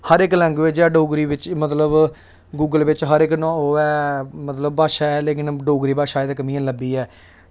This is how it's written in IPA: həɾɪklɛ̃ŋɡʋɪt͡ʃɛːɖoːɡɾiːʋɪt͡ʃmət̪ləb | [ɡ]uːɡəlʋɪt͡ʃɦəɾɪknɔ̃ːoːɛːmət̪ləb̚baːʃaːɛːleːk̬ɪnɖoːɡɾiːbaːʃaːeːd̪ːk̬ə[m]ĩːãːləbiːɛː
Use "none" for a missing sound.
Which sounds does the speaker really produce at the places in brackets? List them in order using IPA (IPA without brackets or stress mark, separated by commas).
ɡ, m